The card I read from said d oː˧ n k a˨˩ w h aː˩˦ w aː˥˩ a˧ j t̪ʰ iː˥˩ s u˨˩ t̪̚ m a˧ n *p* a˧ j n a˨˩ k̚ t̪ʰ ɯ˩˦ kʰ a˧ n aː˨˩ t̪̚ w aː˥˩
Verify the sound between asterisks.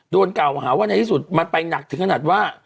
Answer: correct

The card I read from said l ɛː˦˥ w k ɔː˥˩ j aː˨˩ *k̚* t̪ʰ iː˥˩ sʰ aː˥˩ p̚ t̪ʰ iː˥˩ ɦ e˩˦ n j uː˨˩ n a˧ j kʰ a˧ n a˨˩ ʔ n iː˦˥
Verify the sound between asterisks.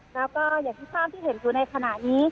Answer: correct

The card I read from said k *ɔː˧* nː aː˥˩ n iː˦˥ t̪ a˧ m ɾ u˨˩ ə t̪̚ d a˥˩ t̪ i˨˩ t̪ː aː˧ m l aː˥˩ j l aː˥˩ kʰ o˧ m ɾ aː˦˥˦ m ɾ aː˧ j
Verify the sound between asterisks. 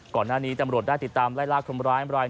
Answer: incorrect: ɔː˨˩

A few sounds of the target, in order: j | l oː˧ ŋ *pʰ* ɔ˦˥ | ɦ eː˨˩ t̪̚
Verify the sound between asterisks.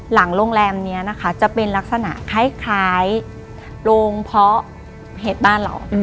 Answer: correct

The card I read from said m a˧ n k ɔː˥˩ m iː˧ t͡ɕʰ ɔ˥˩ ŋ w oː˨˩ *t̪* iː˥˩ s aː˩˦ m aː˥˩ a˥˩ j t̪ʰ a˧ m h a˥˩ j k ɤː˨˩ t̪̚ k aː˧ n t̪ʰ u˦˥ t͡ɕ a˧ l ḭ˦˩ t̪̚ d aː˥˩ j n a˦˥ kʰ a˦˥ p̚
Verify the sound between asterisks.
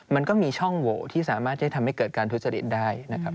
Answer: incorrect: t̪ʰ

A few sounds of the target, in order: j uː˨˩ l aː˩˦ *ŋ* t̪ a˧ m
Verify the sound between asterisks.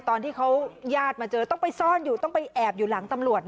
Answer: correct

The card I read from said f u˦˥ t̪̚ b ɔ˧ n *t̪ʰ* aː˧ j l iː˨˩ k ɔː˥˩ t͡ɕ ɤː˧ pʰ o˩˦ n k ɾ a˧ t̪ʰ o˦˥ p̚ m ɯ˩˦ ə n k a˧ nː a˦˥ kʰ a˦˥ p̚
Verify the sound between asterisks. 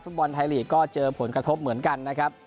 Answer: correct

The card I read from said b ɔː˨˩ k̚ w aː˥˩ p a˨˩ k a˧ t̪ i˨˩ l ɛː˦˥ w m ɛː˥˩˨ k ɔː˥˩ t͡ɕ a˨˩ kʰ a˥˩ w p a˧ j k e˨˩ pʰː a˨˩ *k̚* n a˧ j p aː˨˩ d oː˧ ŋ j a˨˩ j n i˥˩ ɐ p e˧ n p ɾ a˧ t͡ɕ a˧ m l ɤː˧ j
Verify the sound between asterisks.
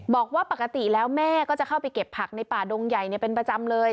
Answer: correct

